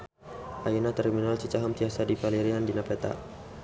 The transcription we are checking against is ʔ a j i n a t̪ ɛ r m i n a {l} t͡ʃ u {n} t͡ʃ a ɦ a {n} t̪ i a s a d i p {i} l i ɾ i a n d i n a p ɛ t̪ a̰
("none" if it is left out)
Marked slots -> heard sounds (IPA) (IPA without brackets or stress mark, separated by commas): l, none, m, a